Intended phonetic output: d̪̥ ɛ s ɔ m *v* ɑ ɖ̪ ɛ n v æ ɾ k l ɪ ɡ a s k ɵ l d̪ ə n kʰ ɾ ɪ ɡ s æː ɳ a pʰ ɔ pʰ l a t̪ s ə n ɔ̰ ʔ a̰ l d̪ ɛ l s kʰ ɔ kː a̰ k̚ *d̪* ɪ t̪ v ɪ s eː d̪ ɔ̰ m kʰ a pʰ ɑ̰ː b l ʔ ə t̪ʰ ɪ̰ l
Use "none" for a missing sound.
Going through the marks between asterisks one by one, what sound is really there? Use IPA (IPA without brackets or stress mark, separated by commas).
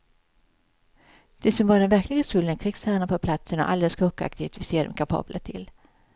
v, t̪